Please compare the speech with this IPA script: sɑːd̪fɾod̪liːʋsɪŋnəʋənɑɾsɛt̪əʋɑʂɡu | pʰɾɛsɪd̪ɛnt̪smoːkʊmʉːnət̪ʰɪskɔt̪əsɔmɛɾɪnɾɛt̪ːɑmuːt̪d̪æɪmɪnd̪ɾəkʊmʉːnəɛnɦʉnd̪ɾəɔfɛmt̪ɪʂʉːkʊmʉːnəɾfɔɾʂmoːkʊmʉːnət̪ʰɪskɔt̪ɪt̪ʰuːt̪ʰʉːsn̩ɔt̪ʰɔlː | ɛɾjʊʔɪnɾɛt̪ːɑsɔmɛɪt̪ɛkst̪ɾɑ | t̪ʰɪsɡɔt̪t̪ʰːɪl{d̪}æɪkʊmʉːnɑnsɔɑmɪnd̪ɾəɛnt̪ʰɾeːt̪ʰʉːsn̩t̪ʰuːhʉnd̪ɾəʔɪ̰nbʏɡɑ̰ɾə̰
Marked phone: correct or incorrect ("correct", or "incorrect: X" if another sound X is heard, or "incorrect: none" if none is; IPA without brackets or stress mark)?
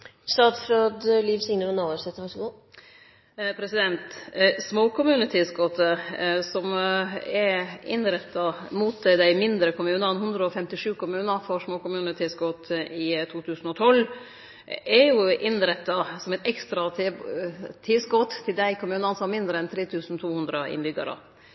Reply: correct